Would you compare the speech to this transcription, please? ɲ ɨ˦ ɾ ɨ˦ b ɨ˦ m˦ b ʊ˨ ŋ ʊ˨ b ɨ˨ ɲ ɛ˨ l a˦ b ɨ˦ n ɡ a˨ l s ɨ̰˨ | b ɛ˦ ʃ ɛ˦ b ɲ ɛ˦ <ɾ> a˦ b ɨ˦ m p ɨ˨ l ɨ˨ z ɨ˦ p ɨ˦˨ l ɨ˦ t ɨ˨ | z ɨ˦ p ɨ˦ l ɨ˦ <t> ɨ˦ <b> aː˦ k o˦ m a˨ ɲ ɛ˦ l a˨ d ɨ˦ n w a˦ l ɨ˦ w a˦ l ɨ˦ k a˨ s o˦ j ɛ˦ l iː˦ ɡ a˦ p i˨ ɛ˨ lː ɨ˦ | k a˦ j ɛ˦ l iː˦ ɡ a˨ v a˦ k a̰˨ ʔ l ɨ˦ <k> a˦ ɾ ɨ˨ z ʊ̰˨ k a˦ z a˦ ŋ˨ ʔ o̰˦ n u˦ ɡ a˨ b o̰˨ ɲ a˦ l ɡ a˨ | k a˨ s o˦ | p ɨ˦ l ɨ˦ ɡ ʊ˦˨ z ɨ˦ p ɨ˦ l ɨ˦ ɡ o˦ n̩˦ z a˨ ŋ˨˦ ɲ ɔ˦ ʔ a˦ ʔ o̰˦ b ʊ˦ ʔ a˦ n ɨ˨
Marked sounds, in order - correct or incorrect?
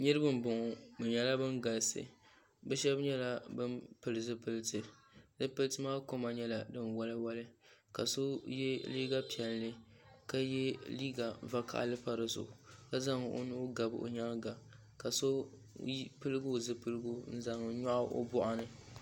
incorrect: l, correct, incorrect: m, incorrect: p

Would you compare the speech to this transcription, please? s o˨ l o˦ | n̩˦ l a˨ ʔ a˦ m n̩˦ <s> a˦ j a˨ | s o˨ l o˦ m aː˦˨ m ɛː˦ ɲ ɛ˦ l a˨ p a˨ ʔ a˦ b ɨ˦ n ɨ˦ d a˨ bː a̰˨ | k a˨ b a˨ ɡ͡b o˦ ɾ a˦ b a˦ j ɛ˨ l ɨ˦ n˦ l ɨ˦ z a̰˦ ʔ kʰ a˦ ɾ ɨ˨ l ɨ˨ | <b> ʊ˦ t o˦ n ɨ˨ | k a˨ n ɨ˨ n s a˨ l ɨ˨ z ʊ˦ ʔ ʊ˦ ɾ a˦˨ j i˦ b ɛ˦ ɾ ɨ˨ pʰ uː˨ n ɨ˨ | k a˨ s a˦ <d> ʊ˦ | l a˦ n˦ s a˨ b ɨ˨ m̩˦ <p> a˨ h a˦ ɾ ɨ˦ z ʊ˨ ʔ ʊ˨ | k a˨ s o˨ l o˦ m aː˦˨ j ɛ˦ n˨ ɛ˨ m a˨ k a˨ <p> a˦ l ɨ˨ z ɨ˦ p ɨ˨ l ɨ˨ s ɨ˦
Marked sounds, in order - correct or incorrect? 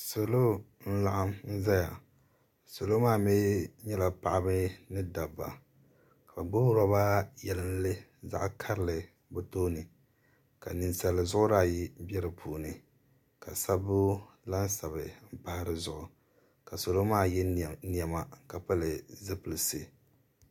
incorrect: z, correct, incorrect: b, correct, correct

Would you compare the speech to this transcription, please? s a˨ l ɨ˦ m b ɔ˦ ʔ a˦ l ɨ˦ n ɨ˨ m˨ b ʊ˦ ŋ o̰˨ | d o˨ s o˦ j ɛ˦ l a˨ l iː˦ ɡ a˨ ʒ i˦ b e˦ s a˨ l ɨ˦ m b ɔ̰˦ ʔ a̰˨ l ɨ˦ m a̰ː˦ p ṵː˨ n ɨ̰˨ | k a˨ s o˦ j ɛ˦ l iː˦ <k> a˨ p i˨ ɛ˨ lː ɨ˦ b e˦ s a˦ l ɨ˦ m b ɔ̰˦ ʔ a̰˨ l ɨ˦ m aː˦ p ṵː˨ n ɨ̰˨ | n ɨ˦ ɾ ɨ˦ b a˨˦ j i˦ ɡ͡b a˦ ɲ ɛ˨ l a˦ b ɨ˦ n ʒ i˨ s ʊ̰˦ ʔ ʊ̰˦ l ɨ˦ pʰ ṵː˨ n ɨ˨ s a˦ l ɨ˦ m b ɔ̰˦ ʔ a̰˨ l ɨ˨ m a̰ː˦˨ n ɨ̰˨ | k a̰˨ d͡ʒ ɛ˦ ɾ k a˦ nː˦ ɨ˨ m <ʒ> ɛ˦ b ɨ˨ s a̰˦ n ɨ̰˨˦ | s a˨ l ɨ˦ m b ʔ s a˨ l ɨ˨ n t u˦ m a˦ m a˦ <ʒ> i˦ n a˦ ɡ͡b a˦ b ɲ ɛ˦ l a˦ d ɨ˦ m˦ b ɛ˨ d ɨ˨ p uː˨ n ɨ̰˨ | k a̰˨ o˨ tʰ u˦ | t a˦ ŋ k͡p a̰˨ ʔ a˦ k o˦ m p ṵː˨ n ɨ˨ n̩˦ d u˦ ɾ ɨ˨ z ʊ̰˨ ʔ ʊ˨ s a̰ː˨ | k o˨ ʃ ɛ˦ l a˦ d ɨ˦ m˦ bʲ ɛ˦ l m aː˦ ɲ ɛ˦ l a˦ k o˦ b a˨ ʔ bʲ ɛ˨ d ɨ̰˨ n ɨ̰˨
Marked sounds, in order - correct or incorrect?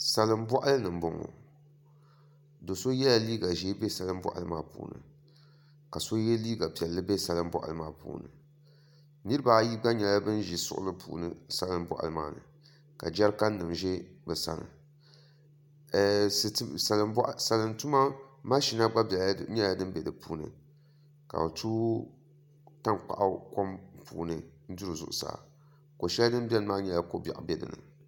incorrect: ɡ, correct, incorrect: ʃ

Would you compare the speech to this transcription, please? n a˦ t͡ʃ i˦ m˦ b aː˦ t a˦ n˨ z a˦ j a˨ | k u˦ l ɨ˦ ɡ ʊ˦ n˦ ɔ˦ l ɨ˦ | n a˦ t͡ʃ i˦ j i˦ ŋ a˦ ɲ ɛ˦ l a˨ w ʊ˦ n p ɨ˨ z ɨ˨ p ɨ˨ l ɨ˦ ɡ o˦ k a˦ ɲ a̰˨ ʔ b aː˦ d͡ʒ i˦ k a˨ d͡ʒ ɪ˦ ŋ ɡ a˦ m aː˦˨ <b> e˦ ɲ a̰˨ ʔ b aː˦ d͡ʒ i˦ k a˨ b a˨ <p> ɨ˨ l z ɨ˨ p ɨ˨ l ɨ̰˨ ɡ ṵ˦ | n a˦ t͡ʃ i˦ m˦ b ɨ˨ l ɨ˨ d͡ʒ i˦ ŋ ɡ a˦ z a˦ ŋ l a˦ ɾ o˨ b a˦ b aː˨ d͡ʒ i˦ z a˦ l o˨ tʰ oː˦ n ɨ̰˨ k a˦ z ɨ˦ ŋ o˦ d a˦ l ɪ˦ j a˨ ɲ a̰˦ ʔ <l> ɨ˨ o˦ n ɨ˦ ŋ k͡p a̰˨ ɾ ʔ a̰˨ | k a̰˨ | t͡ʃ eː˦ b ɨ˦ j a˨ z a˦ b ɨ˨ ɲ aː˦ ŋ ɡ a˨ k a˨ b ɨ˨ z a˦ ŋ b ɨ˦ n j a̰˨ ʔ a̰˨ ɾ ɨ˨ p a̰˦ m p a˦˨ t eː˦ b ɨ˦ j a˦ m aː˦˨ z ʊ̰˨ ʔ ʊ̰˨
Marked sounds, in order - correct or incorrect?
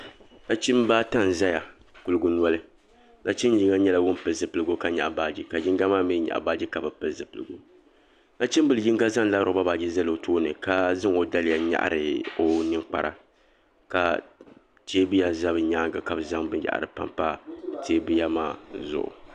incorrect: m, correct, incorrect: ɾ

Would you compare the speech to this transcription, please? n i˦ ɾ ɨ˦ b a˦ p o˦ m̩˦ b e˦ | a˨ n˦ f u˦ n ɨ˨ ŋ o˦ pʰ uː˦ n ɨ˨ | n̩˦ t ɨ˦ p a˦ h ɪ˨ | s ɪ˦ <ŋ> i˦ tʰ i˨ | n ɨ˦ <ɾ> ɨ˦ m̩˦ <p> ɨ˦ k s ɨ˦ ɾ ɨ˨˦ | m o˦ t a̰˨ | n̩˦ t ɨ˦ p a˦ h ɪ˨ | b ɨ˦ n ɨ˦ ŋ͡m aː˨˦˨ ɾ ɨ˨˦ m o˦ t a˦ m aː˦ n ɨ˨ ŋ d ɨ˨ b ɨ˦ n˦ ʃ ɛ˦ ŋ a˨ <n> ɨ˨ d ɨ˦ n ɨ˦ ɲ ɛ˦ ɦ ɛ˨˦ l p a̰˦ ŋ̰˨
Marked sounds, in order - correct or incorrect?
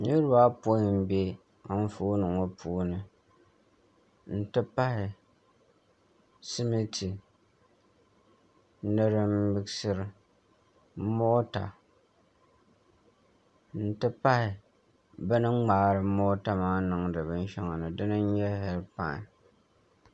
incorrect: m, correct, incorrect: b, correct

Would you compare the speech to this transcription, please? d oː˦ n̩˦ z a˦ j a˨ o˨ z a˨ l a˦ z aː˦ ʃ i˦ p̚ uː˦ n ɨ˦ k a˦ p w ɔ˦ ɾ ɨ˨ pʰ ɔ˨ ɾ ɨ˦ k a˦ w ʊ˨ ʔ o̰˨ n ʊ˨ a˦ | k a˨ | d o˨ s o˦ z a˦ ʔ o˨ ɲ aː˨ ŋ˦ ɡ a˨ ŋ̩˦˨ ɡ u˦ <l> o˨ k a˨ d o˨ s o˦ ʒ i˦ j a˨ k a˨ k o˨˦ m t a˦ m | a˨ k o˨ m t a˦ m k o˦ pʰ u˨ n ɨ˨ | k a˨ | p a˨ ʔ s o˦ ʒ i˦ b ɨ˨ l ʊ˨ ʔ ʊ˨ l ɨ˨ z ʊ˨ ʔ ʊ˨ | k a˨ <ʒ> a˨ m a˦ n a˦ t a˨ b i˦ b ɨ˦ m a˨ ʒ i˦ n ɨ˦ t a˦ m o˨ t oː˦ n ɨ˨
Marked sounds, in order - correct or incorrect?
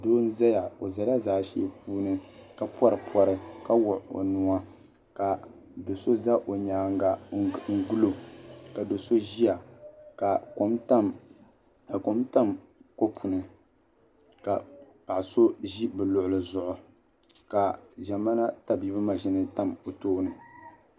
correct, correct

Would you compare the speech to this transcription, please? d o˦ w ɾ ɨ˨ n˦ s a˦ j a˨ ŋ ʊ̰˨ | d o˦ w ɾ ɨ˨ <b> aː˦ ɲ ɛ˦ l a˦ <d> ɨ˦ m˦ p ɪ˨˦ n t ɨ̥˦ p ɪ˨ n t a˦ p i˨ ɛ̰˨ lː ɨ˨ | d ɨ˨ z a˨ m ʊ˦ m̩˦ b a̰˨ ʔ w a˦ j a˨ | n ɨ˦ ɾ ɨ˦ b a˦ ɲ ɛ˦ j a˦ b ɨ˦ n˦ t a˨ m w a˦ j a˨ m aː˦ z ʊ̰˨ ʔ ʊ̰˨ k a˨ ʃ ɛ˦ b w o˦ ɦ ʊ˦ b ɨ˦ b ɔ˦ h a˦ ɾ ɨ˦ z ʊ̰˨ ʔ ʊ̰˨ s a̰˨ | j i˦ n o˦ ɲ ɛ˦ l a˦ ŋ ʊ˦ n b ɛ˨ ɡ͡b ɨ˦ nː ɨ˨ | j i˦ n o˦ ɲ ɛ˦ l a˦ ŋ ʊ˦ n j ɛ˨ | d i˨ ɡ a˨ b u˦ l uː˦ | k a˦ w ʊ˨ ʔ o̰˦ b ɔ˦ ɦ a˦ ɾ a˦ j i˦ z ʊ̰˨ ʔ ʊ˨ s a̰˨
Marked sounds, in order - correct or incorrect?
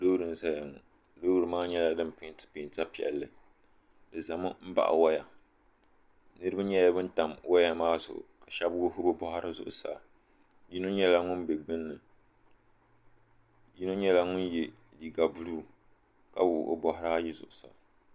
incorrect: m, correct

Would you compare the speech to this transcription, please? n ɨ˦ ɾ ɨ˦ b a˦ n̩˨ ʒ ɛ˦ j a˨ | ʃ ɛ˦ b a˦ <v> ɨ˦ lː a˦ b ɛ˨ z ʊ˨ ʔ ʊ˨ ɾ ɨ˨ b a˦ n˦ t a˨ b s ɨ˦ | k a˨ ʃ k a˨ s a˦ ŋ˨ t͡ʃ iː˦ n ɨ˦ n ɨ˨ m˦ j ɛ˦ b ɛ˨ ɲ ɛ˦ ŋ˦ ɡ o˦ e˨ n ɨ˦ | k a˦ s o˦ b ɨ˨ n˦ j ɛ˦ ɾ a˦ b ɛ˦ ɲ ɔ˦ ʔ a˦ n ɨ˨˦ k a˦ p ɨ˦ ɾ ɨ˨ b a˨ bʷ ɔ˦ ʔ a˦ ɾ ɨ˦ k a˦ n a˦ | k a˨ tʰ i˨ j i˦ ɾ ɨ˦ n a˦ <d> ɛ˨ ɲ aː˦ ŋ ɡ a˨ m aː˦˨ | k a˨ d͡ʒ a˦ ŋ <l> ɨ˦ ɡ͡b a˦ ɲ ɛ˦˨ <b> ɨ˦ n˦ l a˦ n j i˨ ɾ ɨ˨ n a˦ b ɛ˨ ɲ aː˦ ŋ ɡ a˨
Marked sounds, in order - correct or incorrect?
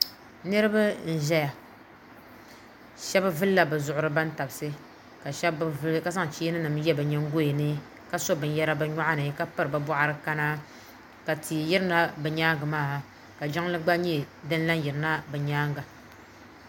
correct, incorrect: b, correct, incorrect: d

